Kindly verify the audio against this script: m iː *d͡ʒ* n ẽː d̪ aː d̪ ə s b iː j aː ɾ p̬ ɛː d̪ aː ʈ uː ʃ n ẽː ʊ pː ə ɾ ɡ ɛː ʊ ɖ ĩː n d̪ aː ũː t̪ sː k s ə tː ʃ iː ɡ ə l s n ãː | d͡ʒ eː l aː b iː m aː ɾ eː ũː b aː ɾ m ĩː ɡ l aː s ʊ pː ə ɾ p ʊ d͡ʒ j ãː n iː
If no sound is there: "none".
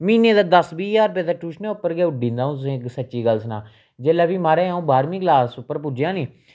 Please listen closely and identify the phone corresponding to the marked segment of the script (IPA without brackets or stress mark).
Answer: none